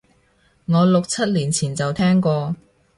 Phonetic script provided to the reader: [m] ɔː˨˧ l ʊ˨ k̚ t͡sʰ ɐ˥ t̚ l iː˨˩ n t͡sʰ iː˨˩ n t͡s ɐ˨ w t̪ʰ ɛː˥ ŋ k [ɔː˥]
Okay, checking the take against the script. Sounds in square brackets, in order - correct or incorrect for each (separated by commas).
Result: incorrect, incorrect